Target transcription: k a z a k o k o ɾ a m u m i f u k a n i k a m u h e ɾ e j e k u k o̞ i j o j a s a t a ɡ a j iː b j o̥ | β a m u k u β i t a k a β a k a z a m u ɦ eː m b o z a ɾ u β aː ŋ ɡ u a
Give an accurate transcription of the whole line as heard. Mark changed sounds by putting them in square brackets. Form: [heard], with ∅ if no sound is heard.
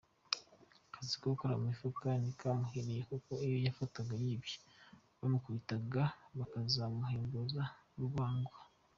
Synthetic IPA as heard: k a z [i] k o k o ɾ a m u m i f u k a n i k a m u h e ɾ e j e k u k o̞ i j o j a [f] a t a ɡ a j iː b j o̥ | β a m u k u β i t a [ɡ] a β a k a z a m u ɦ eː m b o z a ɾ u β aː ŋ ɡ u a